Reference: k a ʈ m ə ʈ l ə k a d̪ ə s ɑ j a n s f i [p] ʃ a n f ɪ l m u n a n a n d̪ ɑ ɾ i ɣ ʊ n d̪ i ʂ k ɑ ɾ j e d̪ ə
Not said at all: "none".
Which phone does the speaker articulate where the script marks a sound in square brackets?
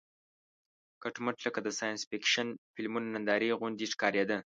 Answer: k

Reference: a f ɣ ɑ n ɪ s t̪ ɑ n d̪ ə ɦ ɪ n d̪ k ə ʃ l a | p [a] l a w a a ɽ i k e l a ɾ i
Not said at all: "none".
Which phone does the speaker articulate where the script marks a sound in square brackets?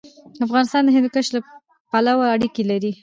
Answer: a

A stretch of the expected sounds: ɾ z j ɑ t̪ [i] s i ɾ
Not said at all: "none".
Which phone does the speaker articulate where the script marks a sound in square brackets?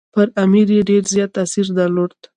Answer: a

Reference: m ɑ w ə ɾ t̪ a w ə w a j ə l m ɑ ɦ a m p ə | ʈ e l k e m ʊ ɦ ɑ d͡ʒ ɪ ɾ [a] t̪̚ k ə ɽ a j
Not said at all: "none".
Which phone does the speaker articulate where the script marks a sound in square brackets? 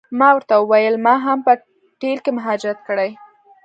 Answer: a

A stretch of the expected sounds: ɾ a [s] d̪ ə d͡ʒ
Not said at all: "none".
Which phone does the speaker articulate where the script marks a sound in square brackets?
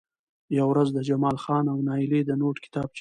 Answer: z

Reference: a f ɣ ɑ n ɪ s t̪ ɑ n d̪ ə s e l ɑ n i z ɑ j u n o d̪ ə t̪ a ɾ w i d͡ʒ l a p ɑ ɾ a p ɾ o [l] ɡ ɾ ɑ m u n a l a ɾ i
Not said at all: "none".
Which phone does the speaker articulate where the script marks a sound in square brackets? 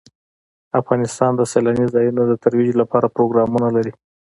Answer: none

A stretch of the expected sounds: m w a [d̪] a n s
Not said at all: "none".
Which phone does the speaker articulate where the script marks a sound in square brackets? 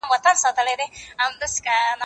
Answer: t̪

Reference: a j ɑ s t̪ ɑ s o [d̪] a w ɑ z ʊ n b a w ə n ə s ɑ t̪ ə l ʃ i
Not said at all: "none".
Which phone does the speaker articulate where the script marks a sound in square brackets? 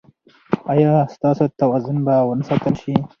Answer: t̪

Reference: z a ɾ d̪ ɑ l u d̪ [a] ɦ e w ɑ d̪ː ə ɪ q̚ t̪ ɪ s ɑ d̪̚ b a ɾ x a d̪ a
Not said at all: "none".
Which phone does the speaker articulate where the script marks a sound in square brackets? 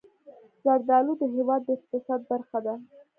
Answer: ə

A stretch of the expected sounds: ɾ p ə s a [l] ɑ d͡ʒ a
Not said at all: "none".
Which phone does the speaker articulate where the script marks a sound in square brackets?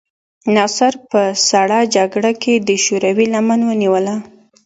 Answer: ɽ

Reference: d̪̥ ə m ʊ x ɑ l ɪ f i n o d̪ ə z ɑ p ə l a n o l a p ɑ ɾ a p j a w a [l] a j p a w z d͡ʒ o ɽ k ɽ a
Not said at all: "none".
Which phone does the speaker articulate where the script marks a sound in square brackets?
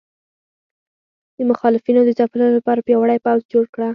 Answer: ɽ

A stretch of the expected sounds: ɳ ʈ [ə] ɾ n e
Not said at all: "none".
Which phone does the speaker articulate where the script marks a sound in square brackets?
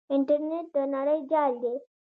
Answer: ə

